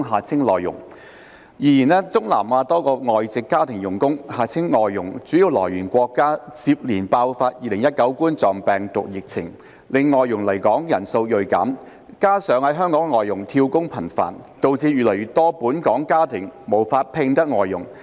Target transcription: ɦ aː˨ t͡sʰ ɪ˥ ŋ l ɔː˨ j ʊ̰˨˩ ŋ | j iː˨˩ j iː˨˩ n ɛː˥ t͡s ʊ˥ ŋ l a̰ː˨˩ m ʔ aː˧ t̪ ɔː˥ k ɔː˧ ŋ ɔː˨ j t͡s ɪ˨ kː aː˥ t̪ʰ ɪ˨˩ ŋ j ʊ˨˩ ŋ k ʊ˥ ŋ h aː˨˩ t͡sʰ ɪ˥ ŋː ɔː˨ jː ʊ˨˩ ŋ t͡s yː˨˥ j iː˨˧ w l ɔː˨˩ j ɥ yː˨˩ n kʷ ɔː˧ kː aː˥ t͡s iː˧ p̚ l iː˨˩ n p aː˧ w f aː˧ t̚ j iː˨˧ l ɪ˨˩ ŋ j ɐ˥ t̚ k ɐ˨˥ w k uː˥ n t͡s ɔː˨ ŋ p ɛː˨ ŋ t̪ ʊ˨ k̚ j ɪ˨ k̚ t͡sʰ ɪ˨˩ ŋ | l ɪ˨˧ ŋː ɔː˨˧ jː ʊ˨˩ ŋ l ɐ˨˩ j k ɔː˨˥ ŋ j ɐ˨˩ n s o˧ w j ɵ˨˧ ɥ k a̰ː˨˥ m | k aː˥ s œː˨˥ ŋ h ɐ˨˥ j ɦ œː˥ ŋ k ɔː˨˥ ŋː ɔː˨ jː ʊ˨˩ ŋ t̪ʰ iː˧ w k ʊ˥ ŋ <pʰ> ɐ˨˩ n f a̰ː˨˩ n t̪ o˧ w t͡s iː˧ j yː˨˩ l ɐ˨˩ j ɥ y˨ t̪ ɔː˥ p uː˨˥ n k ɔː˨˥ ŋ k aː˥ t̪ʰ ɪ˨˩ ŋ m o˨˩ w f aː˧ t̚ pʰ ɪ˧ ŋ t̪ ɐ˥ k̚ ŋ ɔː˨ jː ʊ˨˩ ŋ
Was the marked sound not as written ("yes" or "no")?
no